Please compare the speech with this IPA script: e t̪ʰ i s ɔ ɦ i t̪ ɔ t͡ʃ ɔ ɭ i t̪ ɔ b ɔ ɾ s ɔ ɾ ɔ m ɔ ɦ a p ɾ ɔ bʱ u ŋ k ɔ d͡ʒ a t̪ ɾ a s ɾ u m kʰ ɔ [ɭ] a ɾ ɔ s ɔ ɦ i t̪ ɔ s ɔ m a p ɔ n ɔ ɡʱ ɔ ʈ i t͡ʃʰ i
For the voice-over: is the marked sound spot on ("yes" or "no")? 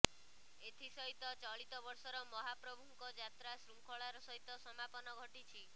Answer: yes